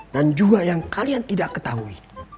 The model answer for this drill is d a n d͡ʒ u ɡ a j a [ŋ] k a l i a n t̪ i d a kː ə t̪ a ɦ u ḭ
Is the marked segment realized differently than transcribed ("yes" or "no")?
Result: no